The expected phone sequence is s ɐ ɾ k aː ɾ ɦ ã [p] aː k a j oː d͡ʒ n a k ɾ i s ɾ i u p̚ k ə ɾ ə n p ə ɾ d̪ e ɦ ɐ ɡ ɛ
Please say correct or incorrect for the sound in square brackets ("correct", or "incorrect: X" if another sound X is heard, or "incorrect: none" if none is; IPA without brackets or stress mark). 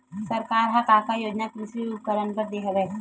incorrect: k